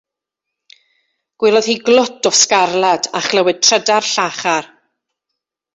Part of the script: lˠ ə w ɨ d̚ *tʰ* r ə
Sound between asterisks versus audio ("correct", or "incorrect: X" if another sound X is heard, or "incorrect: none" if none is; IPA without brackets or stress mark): correct